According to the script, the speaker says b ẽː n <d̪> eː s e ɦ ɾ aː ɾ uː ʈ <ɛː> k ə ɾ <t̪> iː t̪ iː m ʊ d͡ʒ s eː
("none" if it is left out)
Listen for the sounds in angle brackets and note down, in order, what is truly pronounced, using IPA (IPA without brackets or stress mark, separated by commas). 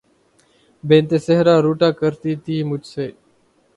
t̪, aː, t̪